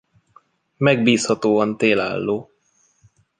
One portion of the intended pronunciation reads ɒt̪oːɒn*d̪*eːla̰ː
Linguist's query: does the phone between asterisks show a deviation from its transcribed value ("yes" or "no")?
yes